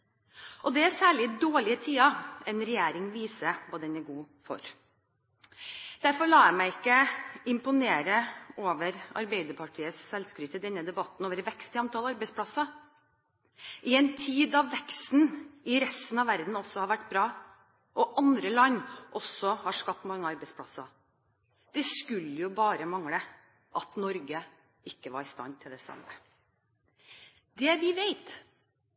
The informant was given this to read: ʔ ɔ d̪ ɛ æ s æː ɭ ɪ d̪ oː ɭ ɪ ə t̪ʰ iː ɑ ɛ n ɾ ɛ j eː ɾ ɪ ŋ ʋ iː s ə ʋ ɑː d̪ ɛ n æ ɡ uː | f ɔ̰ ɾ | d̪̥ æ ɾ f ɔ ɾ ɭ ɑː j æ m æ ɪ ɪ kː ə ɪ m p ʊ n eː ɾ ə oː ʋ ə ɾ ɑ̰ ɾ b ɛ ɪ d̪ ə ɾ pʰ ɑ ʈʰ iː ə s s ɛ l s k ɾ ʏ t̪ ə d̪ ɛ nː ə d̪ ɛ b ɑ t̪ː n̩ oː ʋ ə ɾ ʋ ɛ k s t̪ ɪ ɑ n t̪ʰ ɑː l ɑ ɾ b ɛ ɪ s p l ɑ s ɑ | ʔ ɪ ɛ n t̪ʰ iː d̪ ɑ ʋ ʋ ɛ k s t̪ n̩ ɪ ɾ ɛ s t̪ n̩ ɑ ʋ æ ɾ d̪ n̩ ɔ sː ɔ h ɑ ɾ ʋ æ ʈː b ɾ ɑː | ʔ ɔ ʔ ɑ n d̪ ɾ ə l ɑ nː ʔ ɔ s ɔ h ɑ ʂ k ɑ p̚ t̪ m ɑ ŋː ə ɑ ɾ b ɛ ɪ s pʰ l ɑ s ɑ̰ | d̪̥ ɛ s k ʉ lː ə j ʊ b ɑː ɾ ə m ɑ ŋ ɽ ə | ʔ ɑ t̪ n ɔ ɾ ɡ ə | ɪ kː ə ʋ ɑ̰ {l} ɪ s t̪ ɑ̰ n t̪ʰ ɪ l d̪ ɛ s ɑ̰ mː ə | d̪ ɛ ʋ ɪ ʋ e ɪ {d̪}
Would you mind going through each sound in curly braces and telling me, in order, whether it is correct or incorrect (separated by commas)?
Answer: incorrect, incorrect